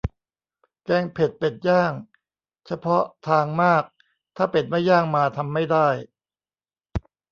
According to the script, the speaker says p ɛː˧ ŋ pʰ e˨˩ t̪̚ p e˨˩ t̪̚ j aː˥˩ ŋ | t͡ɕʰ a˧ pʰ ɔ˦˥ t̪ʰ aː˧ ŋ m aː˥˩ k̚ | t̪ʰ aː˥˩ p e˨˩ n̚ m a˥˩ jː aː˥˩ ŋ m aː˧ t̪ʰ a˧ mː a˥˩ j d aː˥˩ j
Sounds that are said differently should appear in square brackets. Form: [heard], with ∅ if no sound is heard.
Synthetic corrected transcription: [k] ɛː˧ ŋ pʰ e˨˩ t̪̚ p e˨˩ t̪̚ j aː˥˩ ŋ | t͡ɕʰ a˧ pʰ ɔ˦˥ t̪ʰ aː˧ ŋ m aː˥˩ k̚ | t̪ʰ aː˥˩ p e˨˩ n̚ m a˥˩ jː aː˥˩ ŋ m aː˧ t̪ʰ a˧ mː a˥˩ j d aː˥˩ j